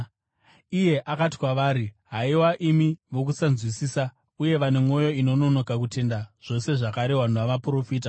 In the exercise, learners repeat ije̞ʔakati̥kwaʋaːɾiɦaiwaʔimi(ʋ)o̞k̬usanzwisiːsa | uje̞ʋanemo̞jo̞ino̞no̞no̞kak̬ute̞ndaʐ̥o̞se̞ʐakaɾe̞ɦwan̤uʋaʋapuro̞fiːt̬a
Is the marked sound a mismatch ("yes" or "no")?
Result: no